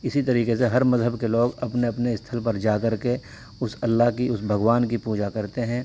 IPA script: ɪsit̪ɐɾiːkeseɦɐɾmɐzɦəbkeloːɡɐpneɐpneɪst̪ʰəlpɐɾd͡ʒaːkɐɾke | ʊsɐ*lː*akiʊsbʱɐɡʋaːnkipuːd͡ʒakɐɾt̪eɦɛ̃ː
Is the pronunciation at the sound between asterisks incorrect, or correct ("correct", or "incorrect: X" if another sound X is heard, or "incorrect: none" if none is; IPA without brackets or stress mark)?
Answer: correct